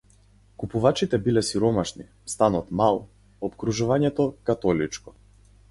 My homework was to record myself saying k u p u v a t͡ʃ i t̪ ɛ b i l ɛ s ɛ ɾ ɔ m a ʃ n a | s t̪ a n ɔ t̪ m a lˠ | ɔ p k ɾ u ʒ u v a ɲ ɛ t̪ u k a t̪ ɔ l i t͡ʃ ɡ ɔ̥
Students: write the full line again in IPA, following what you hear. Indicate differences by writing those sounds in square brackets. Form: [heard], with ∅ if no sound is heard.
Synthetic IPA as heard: k u p u v a t͡ʃ i t̪ ɛ b i l ɛ s [i] ɾ ɔ m a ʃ n [i] | s t̪ a n ɔ t̪ m a lˠ | ɔ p k ɾ u ʒ u v a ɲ ɛ t̪ [ɔ] k a t̪ ɔ l i t͡ʃ [k] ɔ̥